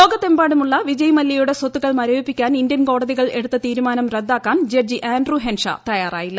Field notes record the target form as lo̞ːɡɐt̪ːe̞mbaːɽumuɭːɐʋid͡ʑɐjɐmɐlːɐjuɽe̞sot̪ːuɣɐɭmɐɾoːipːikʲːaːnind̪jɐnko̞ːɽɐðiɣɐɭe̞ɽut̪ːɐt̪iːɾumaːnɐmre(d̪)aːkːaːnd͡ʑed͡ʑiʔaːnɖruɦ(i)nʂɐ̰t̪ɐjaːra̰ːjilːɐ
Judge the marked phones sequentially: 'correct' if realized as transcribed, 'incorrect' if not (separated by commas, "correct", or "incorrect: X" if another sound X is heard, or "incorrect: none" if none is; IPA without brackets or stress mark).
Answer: incorrect: d̪ː, incorrect: e